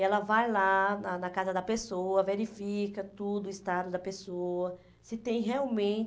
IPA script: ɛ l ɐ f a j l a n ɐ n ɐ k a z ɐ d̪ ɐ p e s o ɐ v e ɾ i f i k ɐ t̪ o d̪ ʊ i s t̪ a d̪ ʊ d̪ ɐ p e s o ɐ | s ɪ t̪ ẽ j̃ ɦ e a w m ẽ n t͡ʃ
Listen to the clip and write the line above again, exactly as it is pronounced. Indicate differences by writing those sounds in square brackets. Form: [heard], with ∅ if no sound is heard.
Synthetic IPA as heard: ɛ l ɐ [v] a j l a n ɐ n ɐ k a z ɐ d̪ ɐ p e s o ɐ v e ɾ i f i k ɐ t̪ [u] d̪ ʊ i s t̪ a d̪ ʊ d̪ ɐ p e s o ɐ | s ɪ t̪ ẽ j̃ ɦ e a w m ẽ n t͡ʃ